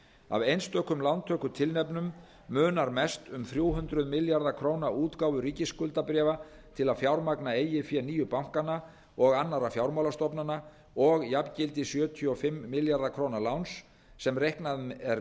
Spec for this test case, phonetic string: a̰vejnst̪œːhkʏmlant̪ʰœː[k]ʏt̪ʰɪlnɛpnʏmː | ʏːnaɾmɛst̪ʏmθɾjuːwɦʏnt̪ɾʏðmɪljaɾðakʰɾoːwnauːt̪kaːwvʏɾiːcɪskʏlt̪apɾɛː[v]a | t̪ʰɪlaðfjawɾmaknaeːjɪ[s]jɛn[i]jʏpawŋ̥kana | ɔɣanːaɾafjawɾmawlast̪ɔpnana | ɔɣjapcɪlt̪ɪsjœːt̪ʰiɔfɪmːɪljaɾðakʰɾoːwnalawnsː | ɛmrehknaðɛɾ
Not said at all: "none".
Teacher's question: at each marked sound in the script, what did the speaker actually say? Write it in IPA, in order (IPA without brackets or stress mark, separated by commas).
k, v, f, iː